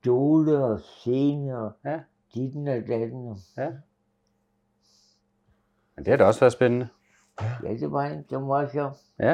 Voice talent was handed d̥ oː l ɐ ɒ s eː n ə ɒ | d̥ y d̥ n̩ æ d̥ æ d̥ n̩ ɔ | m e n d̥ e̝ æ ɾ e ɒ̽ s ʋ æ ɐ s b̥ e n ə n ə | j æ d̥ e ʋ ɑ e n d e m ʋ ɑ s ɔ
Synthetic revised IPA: d̥ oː l ə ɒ s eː n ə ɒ | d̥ i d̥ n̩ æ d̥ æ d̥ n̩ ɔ | m e n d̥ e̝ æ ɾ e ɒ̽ s ʋ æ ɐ s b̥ e n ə n ə | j æ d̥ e ʋ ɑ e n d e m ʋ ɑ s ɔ